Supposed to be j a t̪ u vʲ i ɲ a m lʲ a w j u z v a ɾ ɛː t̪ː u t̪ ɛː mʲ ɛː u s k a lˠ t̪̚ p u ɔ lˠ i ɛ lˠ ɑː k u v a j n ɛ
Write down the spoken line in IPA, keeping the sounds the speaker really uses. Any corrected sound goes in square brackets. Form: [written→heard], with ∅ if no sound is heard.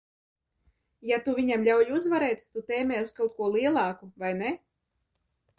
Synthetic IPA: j a t̪ u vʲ i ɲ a m lʲ a w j u z v a ɾ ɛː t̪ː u t̪ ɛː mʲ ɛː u s k a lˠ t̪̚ [p→k] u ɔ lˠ i ɛ lˠ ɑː k u v a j n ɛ